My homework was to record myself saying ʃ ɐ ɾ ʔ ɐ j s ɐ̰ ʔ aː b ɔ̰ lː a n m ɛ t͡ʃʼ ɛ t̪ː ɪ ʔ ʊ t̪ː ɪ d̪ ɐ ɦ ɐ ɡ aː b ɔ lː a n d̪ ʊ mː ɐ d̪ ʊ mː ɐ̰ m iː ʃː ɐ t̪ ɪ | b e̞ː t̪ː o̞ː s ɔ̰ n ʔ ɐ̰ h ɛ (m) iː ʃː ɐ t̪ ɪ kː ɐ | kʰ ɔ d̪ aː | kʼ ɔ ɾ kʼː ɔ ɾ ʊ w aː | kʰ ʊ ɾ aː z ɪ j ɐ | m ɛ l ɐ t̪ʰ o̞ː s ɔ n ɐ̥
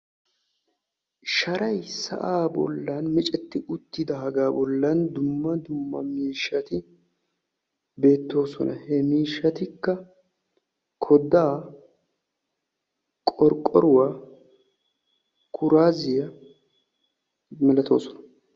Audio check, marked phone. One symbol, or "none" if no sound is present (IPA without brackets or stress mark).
m